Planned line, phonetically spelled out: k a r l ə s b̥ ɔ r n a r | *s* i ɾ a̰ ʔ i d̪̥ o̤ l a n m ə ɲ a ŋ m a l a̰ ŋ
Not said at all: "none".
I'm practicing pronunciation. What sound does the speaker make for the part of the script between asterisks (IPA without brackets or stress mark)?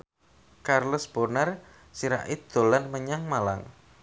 s